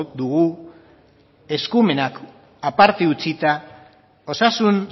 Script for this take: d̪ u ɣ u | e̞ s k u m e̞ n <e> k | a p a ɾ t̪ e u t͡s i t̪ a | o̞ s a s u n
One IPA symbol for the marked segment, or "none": a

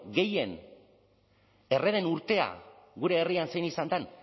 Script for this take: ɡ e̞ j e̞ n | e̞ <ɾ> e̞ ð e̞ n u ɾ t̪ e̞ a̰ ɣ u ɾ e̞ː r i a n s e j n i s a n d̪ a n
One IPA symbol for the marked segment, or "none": r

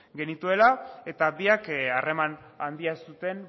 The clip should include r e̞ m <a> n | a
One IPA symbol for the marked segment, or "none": a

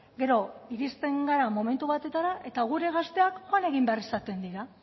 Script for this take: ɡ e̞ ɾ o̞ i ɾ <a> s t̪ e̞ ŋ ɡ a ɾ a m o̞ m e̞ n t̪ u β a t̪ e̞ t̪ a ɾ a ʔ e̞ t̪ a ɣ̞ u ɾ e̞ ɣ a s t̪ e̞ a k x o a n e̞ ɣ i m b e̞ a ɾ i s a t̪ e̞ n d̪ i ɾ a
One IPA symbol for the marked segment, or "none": i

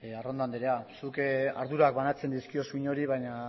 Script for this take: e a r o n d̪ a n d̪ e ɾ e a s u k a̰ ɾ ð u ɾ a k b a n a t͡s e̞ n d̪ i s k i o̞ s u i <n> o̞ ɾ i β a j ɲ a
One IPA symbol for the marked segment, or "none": ɲ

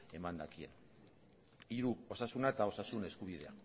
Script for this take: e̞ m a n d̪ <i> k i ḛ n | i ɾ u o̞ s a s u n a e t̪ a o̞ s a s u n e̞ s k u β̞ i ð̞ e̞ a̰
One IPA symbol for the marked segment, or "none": a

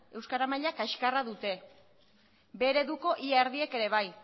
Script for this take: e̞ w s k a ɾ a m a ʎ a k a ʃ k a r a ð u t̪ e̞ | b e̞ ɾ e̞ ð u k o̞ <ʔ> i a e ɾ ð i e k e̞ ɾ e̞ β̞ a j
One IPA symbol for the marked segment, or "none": ʔ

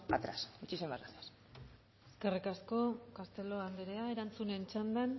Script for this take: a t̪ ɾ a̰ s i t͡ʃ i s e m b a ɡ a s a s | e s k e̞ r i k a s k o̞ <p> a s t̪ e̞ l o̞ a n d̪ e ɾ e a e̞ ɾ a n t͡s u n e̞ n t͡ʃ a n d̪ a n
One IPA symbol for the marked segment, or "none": k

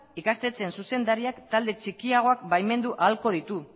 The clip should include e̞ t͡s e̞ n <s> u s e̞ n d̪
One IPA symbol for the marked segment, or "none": s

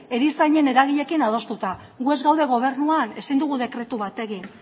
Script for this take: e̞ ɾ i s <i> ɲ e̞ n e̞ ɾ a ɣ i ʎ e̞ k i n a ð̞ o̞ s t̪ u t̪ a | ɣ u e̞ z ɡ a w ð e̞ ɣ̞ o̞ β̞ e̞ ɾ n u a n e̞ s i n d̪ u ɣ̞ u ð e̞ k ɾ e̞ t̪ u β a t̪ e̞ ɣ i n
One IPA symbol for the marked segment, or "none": a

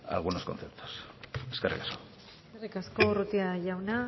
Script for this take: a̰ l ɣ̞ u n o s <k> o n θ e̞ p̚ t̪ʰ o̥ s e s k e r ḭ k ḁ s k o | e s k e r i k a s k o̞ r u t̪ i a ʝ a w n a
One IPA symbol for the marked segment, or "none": k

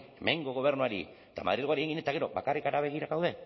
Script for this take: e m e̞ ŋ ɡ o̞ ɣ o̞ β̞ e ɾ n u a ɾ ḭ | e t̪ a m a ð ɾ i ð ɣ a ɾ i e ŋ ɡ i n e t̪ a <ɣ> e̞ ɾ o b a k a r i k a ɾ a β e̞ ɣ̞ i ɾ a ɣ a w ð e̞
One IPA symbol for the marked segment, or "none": ɣ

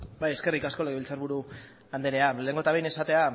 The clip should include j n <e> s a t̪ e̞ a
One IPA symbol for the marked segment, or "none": e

